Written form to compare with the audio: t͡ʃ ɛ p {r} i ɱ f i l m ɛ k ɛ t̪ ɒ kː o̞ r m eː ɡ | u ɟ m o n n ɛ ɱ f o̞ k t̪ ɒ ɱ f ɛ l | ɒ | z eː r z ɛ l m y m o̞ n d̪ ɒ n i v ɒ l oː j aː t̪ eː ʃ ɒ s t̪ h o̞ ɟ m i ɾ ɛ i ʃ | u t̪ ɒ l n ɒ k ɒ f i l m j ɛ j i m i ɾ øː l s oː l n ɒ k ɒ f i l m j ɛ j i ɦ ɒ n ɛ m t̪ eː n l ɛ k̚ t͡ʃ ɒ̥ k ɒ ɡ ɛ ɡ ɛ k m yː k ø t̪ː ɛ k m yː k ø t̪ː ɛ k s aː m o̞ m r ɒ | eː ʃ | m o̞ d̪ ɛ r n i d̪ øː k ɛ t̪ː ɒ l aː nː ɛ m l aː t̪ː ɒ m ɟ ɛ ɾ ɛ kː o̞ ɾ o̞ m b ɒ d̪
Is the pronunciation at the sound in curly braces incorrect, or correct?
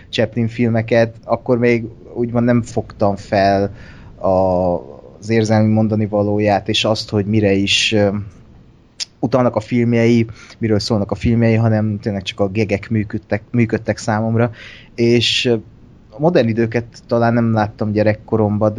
incorrect